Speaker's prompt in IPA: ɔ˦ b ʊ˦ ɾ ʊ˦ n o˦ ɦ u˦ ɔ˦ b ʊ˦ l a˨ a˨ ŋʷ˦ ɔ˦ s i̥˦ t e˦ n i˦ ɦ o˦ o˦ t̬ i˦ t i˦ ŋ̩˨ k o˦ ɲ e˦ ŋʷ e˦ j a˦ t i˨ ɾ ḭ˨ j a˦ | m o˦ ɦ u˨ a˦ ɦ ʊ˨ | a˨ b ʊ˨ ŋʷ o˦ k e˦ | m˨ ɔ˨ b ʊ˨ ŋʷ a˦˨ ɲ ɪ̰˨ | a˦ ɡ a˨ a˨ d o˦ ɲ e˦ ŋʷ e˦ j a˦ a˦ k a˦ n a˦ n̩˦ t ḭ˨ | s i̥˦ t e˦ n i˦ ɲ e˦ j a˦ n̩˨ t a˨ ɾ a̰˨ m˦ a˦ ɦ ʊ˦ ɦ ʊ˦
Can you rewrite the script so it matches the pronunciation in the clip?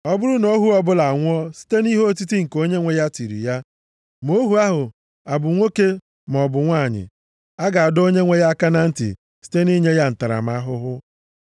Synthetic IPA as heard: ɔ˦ b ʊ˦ ɾ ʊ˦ n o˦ ɦ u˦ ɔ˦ b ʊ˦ l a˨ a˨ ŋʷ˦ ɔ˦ s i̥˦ t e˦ n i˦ ɦ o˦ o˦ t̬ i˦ t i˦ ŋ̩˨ k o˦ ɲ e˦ ŋʷ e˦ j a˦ t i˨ ɾ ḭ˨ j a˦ | m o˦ ɦ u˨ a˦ ɦ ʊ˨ | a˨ b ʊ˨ ŋʷ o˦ k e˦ | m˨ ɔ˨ b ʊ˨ ŋʷ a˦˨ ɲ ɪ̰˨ | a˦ ɡ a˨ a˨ d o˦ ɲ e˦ ŋʷ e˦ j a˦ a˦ k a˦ n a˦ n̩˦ t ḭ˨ | s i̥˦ t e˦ n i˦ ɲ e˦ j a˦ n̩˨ t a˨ ɾ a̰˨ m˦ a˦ ɦ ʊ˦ ɦ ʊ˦

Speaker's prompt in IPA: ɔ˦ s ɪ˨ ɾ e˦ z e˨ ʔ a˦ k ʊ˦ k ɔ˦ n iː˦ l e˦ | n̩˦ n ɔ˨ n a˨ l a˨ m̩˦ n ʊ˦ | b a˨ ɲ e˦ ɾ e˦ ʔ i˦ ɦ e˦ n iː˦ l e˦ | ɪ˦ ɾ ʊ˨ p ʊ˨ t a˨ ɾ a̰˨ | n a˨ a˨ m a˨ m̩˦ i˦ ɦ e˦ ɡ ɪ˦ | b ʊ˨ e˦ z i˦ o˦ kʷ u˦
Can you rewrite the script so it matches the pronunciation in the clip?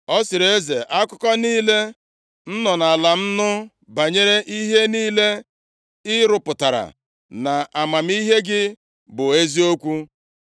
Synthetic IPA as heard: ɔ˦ s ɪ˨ ɾ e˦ z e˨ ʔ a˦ k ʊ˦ k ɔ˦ n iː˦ l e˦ | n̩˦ n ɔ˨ n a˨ l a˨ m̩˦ n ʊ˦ | b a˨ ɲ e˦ ɾ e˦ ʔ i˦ ɦ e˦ n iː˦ l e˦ | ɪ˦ ɾ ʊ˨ p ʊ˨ t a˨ ɾ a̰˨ | n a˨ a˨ m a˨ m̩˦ i˦ ɦ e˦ ɡ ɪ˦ | b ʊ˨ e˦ z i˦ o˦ kʷ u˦

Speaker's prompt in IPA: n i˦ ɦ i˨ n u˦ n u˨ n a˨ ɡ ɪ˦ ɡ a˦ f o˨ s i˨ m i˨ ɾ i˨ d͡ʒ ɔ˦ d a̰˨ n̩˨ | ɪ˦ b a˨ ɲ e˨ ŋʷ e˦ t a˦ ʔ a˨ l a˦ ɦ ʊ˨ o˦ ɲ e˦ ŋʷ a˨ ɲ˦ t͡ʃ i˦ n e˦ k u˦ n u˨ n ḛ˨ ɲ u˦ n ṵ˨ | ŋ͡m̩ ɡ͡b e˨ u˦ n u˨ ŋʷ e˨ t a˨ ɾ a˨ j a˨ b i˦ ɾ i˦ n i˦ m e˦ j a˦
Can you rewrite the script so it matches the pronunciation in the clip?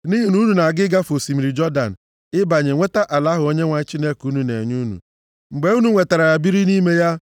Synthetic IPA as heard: n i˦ ɦ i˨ n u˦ n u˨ n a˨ ɡ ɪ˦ ɡ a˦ f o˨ s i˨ m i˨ ɾ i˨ d͡ʒ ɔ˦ d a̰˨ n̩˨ | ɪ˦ b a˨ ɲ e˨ ŋʷ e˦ t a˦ ʔ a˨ l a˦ ɦ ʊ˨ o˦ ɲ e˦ ŋʷ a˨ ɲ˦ t͡ʃ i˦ n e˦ k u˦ n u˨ n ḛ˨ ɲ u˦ n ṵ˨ | ŋ͡m̩ ɡ͡b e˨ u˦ n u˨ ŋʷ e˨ t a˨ ɾ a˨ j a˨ b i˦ ɾ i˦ n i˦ m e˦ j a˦

